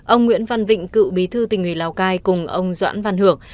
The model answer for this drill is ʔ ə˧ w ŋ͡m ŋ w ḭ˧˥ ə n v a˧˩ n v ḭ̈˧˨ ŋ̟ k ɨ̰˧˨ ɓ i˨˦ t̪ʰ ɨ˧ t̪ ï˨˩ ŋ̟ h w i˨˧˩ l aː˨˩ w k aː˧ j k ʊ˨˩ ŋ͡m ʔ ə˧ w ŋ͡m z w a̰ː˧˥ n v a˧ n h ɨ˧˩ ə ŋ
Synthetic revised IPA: ʔ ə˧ w ŋ͡m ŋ w ḭ˧˥ ə n v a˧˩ n v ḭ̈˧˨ ŋ̟ k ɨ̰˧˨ ɓ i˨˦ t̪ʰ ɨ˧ t̪ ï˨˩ ŋ̟ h w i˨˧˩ l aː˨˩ w k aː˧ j k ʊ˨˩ ŋ͡m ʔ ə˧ w ŋ͡m z w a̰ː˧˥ n v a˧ n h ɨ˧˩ ə ŋ